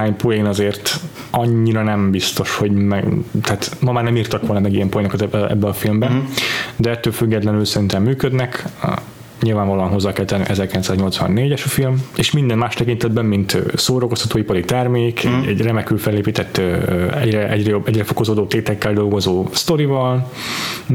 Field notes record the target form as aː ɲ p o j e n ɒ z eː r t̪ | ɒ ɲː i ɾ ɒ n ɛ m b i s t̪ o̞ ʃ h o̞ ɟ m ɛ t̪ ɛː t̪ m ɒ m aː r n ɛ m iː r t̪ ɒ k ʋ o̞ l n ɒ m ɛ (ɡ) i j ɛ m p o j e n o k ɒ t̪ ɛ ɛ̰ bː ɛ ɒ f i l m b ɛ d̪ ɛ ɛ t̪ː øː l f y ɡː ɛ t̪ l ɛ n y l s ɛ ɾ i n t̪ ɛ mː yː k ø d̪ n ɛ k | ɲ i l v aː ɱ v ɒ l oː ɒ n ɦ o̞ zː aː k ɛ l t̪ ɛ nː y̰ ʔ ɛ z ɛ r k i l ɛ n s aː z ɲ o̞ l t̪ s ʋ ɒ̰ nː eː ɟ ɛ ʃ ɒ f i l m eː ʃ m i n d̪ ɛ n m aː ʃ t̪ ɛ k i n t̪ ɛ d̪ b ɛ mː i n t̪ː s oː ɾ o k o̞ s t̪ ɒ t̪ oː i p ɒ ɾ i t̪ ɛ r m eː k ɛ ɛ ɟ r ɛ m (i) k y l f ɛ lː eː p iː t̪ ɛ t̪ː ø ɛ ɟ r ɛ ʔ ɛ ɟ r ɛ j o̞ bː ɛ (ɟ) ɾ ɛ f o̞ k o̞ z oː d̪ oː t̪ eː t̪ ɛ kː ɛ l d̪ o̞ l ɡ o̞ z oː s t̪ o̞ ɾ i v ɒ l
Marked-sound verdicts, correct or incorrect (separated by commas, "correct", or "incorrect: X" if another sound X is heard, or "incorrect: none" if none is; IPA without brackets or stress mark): correct, incorrect: ɛ, correct